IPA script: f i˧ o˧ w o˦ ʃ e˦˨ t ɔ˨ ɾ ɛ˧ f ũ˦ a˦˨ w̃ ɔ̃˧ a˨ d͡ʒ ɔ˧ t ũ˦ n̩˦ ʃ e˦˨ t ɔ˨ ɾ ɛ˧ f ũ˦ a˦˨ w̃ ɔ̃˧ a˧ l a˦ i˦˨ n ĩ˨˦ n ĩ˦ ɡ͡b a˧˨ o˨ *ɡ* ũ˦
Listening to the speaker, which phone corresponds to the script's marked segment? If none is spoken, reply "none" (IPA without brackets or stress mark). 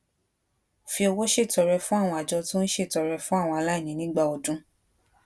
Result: d